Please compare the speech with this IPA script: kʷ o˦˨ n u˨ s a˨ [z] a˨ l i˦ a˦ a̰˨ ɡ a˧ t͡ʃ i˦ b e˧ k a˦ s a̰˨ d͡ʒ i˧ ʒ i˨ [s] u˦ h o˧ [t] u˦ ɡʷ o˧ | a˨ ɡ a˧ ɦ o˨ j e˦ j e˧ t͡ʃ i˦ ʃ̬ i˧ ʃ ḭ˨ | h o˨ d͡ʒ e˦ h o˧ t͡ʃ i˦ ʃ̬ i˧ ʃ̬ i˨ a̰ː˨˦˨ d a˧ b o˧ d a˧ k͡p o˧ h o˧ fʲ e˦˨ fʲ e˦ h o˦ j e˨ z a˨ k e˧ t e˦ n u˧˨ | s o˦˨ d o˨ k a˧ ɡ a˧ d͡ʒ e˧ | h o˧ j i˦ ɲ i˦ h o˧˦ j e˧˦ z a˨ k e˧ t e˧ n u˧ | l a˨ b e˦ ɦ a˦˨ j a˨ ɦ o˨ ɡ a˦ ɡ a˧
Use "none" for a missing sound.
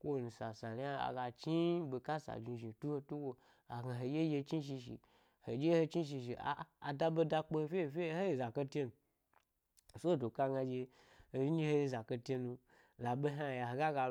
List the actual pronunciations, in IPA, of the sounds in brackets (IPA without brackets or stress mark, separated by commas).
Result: s, t, t